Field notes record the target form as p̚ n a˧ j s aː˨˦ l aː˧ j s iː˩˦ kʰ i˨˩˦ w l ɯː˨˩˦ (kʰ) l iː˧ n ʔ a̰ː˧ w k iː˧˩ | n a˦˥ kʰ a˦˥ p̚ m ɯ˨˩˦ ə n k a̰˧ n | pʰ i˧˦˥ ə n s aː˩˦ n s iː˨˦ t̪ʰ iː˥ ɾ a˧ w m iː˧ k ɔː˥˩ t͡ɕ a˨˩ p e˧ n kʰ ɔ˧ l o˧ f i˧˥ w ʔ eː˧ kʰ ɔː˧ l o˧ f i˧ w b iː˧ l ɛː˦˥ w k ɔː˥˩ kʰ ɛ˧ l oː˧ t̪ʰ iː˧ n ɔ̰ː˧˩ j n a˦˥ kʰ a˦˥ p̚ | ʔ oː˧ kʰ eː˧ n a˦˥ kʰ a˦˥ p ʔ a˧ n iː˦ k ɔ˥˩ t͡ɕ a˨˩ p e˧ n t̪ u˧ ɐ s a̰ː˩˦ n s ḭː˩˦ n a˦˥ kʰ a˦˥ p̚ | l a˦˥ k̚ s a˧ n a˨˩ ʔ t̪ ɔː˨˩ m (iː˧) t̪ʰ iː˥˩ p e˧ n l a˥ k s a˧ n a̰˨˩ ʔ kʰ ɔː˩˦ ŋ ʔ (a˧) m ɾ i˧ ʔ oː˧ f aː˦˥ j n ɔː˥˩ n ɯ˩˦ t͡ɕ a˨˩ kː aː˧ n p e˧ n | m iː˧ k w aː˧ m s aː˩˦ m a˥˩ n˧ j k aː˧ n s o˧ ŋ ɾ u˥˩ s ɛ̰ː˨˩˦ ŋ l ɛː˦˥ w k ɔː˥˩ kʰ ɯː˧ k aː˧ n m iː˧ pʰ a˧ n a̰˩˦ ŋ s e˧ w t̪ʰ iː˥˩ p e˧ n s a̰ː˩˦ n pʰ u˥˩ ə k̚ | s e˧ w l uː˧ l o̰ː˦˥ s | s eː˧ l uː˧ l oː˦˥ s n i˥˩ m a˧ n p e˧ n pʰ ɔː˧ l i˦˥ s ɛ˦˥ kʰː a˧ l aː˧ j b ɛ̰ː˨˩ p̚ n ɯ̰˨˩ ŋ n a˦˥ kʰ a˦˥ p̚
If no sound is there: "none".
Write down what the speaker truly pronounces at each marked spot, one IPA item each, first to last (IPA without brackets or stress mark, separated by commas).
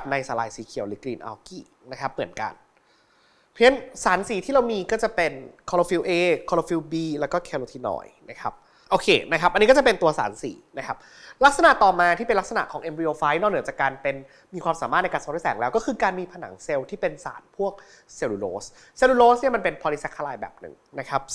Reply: k, aː˧, e˧